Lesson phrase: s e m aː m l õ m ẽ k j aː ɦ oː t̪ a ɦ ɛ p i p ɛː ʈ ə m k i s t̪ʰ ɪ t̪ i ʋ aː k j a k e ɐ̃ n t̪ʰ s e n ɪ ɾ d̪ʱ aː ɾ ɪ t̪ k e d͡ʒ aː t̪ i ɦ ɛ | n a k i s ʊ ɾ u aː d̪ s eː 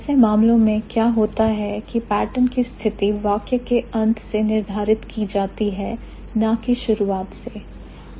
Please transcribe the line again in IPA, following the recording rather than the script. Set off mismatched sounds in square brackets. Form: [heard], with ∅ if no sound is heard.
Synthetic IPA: s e m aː m l õ m ẽ k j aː ɦ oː t̪ a ɦ ɛ [k] i p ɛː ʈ ə [n] k i s t̪ʰ ɪ t̪ i ʋ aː k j [ə] k e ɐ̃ n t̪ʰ s e n ɪ ɾ d̪ʱ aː ɾ ɪ t̪ k [i] d͡ʒ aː t̪ i ɦ ɛ | n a k i [ʃ] ʊ ɾ u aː [t̪] s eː

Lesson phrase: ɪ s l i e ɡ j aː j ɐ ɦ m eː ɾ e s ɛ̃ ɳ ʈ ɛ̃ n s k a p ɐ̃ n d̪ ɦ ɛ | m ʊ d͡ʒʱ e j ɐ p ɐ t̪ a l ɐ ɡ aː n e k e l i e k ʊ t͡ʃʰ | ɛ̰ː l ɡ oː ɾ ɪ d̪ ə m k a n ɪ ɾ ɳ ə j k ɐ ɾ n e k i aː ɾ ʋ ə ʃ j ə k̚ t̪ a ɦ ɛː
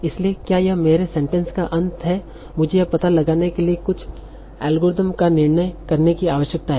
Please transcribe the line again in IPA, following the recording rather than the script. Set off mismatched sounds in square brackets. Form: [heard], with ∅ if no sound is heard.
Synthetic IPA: ɪ s l i e [k] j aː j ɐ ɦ m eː ɾ e s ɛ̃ ɳ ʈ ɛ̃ n s k a [ʔ] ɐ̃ n [t̪] ɦ ɛ | m ʊ d͡ʒʱ e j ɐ p ɐ t̪ a l ɐ ɡ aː n e k e l i e k ʊ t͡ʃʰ | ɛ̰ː l ɡ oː ɾ ɪ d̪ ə m k a n ɪ ɾ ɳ ə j k ɐ ɾ n e k i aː [∅] ʋ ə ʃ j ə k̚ t̪ a ɦ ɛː

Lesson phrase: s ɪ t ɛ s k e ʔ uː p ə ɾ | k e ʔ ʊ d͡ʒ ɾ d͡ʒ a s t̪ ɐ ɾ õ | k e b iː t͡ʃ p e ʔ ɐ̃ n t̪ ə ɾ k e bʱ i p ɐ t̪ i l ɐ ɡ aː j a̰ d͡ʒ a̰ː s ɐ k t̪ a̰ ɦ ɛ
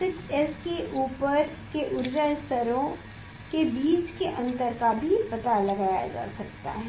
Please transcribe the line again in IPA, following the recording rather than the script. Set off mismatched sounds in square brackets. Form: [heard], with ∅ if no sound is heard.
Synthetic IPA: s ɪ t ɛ s k e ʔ uː p ə ɾ | k e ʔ ʊ [∅] ɾ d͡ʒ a s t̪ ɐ ɾ õ | k e b iː t͡ʃ [k] e ʔ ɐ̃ n t̪ ə ɾ k [a] bʱ i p ɐ t̪ [a] l ɐ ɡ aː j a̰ d͡ʒ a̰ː s ɐ k t̪ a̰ ɦ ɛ

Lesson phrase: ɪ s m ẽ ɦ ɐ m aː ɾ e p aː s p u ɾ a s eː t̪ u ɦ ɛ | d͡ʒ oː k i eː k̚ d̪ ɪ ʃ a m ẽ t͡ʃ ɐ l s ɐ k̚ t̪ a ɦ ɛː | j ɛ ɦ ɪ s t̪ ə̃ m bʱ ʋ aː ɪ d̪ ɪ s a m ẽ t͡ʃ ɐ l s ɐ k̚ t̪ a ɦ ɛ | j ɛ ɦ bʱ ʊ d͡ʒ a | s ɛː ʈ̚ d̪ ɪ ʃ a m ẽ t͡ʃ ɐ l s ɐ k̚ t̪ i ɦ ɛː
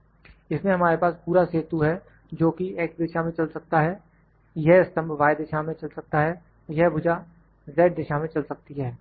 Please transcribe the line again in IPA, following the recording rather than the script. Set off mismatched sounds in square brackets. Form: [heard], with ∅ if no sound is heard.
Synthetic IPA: ɪ s m ẽ ɦ ɐ m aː ɾ e p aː s p [uː] ɾ a s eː t̪ u ɦ ɛ | d͡ʒ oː k i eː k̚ d̪ ɪ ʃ a m ẽ t͡ʃ ɐ l s ɐ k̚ t̪ a ɦ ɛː | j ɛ ɦ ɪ s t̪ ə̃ m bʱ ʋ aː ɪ d̪ ɪ [ʃ] a m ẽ t͡ʃ ɐ l s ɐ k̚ t̪ a ɦ ɛ | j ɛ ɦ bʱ ʊ d͡ʒ a | [z] ɛː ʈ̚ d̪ ɪ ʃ a m ẽ t͡ʃ ɐ l s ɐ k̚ t̪ i ɦ ɛː

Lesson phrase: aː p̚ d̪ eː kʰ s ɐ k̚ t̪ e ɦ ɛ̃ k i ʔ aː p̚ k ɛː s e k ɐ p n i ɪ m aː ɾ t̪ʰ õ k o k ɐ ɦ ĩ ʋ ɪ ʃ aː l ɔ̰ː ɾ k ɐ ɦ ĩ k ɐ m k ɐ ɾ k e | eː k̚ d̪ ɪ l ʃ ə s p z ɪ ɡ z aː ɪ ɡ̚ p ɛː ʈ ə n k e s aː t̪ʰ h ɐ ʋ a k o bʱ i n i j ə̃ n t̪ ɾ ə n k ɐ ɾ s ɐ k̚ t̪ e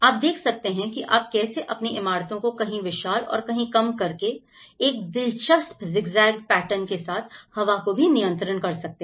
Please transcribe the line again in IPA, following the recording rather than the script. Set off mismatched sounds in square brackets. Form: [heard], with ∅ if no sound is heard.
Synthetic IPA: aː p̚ d̪ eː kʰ s ɐ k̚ t̪ e ɦ ɛ̃ k i ʔ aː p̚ k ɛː s e [ʔ] ɐ p n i ɪ m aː ɾ [t̪] õ k o k ɐ ɦ ĩ ʋ ɪ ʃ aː l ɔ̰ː ɾ k ɐ ɦ ĩ k ɐ m k ɐ ɾ k e | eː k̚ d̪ ɪ l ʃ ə s p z ɪ ɡ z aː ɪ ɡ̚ p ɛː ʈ ə n k e s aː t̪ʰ h ɐ ʋ a k o bʱ i n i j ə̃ n t̪ ɾ ə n k ɐ ɾ s ɐ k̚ t̪ e

